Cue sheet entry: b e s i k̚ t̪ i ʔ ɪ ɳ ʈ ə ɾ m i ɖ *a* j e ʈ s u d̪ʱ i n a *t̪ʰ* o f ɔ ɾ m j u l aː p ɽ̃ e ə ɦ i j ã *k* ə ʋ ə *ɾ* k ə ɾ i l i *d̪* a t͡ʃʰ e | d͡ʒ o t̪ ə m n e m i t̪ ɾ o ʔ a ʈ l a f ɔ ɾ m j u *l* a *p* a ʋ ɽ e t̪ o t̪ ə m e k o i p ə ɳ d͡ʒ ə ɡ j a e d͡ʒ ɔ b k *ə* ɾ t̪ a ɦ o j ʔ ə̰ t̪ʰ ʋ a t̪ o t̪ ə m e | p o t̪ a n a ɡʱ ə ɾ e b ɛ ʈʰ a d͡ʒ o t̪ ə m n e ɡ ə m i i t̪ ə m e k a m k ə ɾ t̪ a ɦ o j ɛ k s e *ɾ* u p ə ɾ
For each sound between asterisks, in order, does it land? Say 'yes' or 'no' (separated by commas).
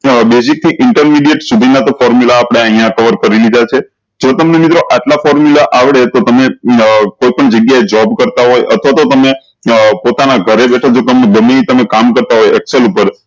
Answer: no, no, yes, yes, yes, yes, no, yes, no